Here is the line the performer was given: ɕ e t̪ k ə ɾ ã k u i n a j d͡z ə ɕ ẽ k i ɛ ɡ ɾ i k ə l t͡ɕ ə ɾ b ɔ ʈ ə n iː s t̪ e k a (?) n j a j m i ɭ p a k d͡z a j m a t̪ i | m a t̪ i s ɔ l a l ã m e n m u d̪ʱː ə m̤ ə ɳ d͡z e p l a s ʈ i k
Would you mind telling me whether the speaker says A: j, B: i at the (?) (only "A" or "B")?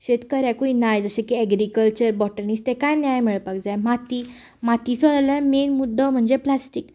A